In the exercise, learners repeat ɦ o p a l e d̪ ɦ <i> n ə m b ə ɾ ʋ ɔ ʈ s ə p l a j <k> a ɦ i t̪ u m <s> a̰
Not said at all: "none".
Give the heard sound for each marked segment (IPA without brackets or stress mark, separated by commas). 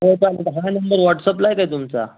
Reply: a, k, t͡s